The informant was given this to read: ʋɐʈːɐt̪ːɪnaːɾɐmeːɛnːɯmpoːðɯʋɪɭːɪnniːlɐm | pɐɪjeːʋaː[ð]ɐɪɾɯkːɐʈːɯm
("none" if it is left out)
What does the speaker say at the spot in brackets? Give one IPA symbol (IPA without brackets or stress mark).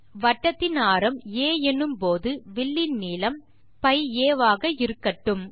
ɣ